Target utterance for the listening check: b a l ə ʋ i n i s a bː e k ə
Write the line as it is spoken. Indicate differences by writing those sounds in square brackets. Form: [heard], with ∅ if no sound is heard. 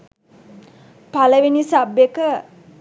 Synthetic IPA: [p] a l ə ʋ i n i s a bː e k ə